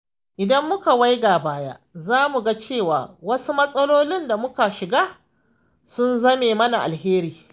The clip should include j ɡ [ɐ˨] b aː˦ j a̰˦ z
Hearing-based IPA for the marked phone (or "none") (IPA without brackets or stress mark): a˨